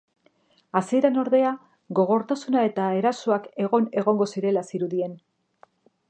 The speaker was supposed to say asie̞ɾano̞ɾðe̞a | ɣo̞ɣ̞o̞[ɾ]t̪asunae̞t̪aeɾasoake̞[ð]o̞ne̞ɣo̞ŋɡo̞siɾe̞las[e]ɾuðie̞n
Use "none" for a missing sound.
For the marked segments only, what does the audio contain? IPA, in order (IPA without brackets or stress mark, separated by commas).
ɾ, ɣ, i